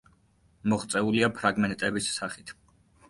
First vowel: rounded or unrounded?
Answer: rounded